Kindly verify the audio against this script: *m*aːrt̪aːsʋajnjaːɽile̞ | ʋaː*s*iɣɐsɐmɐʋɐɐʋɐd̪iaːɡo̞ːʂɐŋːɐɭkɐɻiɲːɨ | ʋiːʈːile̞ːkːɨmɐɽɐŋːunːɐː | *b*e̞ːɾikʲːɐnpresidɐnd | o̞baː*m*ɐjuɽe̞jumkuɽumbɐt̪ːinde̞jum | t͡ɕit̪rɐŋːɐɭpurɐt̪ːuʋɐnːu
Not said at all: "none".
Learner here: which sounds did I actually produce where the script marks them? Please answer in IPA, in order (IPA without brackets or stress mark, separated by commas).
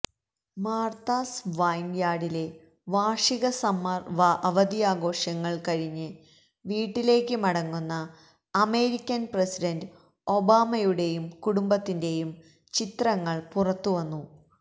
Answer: m, ʂ, m, m